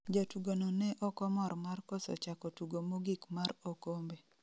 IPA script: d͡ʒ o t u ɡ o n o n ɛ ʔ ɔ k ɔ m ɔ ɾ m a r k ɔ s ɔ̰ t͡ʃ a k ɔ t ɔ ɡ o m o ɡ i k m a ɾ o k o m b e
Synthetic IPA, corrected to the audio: d͡ʒ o t u ɡ o n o n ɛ ʔ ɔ k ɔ m ɔ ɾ m a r k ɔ s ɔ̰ t͡ʃ a k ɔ t u ɡ o m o ɡ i k m a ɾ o k o m b e